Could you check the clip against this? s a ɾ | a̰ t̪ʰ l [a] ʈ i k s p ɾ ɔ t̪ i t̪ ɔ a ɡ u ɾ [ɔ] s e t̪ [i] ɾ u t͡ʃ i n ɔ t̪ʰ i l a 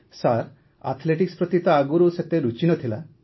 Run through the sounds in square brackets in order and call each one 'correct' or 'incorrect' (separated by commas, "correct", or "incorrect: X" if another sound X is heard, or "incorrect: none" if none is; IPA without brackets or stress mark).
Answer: incorrect: e, incorrect: u, incorrect: e